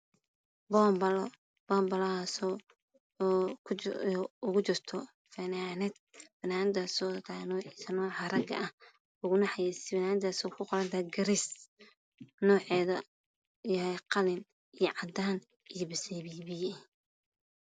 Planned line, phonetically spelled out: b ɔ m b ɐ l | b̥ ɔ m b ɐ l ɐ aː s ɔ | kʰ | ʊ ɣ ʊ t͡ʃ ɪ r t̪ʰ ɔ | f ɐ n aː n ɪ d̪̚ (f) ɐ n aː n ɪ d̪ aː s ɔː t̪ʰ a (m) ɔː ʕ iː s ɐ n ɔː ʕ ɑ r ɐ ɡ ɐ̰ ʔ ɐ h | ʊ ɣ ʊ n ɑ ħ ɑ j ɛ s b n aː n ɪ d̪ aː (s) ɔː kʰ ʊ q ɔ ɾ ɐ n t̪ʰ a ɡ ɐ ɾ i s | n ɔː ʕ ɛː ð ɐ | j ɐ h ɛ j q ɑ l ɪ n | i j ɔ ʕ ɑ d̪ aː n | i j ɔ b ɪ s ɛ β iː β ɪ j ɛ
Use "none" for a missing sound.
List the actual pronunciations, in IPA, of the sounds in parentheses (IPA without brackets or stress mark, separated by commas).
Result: f, n, s